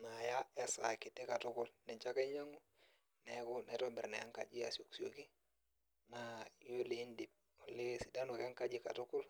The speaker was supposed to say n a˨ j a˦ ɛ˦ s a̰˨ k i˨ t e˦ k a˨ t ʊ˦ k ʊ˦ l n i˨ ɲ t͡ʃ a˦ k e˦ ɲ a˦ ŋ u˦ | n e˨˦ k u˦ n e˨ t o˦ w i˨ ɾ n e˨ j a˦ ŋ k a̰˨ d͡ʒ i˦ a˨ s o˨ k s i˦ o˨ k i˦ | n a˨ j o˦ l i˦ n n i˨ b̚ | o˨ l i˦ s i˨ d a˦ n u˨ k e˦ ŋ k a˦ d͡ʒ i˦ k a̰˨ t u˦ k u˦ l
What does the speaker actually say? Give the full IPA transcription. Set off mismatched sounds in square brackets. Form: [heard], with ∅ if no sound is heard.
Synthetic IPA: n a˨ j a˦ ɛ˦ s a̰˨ k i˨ t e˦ k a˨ t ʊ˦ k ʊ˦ l n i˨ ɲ t͡ʃ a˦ k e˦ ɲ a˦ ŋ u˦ | n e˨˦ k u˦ n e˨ t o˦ [b] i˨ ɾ n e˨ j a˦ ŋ k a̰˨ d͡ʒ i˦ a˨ s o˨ k s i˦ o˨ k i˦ | n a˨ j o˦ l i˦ n [d] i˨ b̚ | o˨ l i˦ s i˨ d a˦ n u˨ k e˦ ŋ k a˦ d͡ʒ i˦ k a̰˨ t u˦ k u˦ l